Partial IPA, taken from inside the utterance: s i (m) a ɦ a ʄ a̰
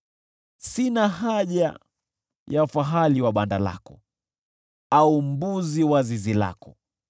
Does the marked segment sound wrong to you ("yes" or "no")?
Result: yes